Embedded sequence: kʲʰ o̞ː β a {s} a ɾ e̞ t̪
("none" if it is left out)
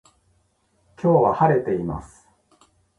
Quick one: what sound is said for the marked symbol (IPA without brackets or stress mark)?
h